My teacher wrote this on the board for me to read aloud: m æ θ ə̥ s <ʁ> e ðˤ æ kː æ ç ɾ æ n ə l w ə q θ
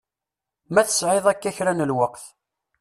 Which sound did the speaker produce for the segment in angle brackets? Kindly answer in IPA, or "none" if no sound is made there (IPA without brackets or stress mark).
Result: ʕ